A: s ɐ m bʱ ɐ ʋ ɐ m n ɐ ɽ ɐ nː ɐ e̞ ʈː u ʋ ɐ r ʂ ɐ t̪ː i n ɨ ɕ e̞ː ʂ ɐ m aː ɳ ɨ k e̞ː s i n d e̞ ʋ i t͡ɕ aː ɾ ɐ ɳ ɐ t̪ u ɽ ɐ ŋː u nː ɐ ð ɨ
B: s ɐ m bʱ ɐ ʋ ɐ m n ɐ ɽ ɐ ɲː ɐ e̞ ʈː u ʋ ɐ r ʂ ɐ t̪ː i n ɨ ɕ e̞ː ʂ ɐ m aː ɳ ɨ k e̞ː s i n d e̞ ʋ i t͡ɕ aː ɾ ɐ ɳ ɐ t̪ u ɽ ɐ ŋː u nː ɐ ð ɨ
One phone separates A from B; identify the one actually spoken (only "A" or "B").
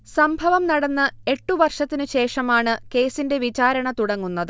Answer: A